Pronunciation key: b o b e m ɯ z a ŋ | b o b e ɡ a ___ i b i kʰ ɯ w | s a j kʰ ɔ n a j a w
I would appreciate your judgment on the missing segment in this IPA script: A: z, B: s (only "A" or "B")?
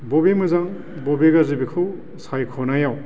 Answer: A